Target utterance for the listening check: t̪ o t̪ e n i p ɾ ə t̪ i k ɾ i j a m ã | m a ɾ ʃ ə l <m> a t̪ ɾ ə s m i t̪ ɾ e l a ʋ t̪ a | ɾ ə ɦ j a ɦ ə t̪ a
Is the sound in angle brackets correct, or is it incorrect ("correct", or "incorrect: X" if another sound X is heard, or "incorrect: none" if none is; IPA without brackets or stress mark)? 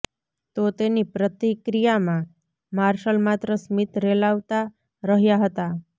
correct